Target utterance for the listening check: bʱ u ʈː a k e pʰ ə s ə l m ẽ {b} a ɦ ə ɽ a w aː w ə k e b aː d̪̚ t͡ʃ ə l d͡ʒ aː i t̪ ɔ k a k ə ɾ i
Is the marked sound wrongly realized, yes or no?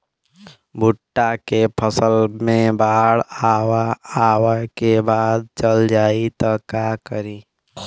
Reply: no